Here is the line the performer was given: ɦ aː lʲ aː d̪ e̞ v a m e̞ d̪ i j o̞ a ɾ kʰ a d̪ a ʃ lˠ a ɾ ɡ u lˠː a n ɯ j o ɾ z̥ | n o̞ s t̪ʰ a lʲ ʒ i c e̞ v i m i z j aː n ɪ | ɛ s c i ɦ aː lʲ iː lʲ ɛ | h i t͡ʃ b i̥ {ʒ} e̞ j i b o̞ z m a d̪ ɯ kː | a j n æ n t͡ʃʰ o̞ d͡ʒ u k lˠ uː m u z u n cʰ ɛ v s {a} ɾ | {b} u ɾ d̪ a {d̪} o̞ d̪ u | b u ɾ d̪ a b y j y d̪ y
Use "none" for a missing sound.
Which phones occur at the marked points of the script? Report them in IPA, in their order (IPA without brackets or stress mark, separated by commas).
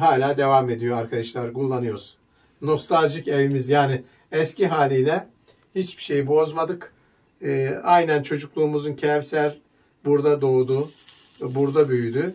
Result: ʃ, æ, b, d̪